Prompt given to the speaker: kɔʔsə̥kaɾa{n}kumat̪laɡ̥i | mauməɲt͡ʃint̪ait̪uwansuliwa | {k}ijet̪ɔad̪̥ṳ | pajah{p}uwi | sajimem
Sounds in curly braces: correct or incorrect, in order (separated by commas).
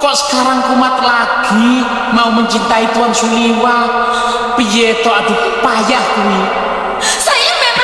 incorrect, incorrect, incorrect